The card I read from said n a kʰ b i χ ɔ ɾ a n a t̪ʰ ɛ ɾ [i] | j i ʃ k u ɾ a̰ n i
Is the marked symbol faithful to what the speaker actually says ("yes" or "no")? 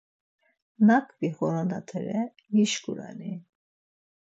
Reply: no